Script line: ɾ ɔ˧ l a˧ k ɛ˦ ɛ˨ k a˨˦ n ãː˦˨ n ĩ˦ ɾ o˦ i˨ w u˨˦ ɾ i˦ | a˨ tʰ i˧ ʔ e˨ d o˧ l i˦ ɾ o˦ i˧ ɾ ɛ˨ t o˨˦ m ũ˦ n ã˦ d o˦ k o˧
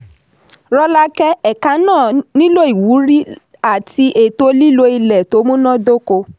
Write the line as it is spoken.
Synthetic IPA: ɾ ɔ˧ l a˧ k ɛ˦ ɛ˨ k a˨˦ n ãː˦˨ n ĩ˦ l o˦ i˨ w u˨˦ ɾ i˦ | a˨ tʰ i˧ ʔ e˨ t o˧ l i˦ l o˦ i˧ l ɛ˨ t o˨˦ m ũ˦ n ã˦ d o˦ k o˧